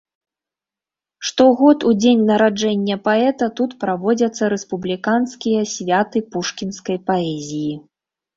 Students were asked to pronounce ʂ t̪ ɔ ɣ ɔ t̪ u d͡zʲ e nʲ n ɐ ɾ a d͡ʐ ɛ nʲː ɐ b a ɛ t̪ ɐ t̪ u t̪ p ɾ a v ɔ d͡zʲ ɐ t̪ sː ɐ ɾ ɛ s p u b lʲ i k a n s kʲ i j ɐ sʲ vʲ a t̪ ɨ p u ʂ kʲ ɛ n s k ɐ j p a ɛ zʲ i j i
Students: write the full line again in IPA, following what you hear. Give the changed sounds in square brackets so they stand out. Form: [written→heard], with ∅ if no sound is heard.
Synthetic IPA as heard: ʂ t̪ ɔ ɣ ɔ t̪ u d͡zʲ e nʲ n ɐ ɾ a d͡ʐ ɛ nʲː ɐ [b→p] a ɛ t̪ ɐ t̪ u t̪ p ɾ a v ɔ d͡zʲ ɐ t̪ sː ɐ ɾ ɛ s p u b lʲ i k a n s kʲ i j ɐ sʲ vʲ a t̪ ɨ p u ʂ kʲ [ɛ→i] n s k ɐ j p a ɛ zʲ i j i